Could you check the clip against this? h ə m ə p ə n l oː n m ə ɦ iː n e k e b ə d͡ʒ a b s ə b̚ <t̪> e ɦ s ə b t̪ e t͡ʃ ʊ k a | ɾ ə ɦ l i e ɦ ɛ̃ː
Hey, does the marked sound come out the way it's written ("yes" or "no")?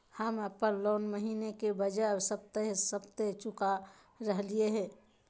yes